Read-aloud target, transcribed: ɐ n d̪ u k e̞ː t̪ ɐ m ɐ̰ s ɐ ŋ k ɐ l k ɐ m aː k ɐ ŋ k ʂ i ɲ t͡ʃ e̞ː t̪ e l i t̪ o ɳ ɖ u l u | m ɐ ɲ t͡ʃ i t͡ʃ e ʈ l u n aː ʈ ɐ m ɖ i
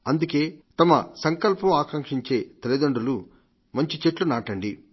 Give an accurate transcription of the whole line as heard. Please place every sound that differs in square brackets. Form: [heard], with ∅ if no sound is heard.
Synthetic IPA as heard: ɐ n d̪ u k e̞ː t̪ ɐ m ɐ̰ s ɐ ŋ k ɐ l [p] ɐ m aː k ɐ ŋ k ʂ i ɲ t͡ʃ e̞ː t̪ e l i [d̪] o ɳ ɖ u l u | m ɐ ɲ t͡ʃ i t͡ʃ e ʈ l u n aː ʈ ɐ [ɳ] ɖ i

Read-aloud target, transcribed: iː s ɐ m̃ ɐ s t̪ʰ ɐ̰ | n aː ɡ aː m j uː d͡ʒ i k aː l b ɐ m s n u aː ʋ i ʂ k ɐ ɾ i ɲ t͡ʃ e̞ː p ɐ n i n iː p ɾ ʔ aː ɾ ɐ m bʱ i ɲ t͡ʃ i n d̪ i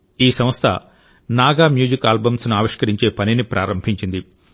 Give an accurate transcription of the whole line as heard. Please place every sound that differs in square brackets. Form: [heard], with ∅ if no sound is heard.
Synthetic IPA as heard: iː s ɐ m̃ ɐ s t̪ʰ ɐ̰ | n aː ɡ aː m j uː d͡ʒ i k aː l b ɐ m s n u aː ʋ i ʂ k ɐ ɾ i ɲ t͡ʃ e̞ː p ɐ n i n [i] p ɾ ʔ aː ɾ ɐ m bʱ i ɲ t͡ʃ i n d̪ i

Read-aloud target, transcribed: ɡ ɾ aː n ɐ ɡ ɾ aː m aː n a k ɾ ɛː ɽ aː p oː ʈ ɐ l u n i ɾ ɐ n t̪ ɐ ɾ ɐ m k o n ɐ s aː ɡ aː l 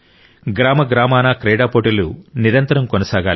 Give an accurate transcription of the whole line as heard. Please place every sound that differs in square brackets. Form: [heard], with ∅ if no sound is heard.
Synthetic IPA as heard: ɡ ɾ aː [m] ɐ ɡ ɾ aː m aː n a k ɾ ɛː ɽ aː p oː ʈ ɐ l u n i ɾ ɐ n t̪ ɐ ɾ ɐ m k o n ɐ s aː ɡ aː l

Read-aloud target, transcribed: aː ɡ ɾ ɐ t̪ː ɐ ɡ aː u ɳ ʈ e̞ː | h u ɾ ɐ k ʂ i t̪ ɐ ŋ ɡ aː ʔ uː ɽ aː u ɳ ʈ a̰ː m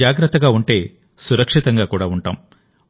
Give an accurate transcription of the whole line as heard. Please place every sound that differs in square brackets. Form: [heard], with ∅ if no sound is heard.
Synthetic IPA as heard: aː ɡ ɾ ɐ t̪ː ɐ ɡ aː u ɳ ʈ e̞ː | [s] u ɾ ɐ k ʂ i t̪ ɐ ŋ ɡ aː [k] uː ɽ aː u ɳ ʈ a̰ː m

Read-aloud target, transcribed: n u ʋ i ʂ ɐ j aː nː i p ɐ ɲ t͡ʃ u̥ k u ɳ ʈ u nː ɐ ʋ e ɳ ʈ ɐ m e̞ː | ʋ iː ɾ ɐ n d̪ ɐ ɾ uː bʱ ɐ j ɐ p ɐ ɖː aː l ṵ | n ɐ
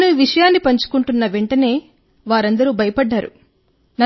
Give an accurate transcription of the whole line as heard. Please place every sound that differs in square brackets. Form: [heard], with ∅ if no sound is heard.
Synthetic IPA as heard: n u ʋ i ʂ ɐ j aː nː i p ɐ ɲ t͡ʃ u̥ k u ɳ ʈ u nː ɐ ʋ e ɳ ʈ ɐ [n] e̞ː | ʋ [aː] ɾ ɐ n d̪ ɐ ɾ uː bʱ ɐ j ɐ p ɐ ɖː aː [ɾ] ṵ | n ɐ

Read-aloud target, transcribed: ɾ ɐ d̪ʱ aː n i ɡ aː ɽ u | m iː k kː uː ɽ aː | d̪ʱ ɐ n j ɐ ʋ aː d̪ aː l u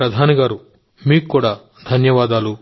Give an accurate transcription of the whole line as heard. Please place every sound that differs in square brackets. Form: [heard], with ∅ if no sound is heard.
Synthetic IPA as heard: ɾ ɐ d̪ʱ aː n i ɡ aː [ɾ] u | m iː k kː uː ɽ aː | d̪ʱ ɐ n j ɐ ʋ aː d̪ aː l u

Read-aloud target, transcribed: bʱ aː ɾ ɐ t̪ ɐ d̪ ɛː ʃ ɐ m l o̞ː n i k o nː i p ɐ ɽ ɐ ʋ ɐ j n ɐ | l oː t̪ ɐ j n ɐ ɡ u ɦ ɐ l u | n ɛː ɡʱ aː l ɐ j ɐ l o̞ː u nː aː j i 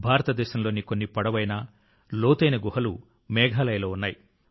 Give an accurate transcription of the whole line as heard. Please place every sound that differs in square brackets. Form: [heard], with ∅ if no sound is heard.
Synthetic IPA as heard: bʱ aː ɾ ɐ t̪ ɐ d̪ ɛː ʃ ɐ m l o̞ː n i k o nː i p ɐ ɽ ɐ ʋ ɐ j n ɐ | l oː t̪ ɐ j n ɐ ɡ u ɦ ɐ l u | [m] ɛː ɡʱ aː l ɐ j ɐ l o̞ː u nː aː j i

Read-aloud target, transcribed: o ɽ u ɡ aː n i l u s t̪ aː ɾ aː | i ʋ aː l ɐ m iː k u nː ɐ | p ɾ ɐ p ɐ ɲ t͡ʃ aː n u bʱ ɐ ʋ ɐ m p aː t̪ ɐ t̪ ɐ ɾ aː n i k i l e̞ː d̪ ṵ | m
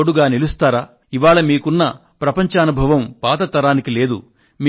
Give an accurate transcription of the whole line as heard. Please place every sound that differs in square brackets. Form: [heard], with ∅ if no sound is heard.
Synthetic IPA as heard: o ɽ u ɡ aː n i l u s t̪ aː ɾ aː | i ʋ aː [ɭ] ɐ m iː k u nː ɐ | p ɾ ɐ p ɐ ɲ t͡ʃ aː n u bʱ ɐ ʋ ɐ m p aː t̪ ɐ t̪ ɐ ɾ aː n i k i l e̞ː d̪ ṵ | m

